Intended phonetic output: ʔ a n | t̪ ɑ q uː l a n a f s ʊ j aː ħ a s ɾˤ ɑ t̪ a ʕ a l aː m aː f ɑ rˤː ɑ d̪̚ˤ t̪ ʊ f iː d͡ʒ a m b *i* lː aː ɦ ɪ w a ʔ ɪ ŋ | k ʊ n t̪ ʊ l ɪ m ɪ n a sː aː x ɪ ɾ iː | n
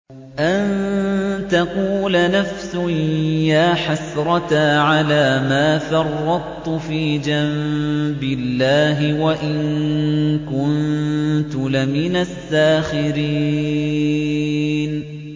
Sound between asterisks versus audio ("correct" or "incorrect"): incorrect